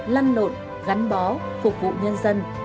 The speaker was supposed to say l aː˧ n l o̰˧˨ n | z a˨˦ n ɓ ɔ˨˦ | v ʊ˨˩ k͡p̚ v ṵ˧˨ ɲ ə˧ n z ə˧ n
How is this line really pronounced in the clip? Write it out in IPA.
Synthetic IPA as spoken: l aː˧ n l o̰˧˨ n | ɣ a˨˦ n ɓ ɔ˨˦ | f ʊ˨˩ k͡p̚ v ṵ˧˨ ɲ ə˧ n z ə˧ n